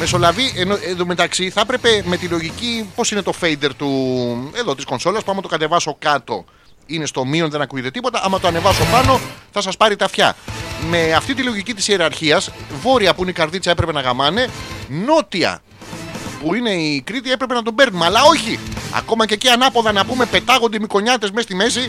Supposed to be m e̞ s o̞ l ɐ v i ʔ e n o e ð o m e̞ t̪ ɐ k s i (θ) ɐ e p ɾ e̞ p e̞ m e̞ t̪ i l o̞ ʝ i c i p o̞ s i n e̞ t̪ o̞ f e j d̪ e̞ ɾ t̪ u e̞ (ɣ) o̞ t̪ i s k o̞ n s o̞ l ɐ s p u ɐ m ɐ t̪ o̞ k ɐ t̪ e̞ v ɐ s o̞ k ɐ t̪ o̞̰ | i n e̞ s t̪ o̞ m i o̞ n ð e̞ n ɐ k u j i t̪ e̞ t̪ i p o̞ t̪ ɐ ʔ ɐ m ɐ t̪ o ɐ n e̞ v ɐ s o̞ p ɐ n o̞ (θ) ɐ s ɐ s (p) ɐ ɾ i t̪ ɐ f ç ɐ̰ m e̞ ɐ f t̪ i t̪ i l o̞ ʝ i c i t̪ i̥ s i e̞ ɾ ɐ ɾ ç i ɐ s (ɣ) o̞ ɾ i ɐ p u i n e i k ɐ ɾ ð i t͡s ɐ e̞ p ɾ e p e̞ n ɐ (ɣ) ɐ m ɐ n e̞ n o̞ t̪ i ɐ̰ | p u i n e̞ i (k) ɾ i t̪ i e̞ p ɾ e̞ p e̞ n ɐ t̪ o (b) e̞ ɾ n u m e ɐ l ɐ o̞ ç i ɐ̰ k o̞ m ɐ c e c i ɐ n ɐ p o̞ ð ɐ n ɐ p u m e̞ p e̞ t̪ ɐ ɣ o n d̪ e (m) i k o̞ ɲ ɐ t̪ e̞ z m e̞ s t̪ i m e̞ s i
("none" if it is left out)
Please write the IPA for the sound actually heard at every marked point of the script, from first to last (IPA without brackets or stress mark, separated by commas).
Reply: θ, ð, θ, p, v, ɣ, k, b, m